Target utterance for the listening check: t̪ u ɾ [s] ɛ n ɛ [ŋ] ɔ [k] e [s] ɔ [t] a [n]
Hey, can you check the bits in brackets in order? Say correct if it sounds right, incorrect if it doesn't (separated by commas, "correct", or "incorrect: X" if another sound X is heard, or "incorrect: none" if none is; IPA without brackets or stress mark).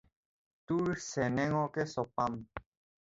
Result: correct, correct, correct, correct, incorrect: p, incorrect: m